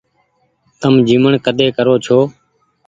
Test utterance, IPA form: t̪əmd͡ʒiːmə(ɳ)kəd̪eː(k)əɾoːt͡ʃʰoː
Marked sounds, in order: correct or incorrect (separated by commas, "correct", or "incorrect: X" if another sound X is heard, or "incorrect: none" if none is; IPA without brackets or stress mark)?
correct, correct